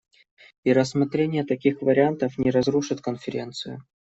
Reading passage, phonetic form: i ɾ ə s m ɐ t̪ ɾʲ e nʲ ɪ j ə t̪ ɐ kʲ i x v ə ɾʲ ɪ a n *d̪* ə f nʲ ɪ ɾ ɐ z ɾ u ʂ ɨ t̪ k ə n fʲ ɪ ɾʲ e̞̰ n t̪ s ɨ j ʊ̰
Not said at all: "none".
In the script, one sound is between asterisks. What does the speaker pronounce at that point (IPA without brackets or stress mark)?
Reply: t̪